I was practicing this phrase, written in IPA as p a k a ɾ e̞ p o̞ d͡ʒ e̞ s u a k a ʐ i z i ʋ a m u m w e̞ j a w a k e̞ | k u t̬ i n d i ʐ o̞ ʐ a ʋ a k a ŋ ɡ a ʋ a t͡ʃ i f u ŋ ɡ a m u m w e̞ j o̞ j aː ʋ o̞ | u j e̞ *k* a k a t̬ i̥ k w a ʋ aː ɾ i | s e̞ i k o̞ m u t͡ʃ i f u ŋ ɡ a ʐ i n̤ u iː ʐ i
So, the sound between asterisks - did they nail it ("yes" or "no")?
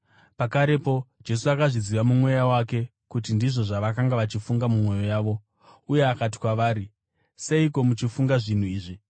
no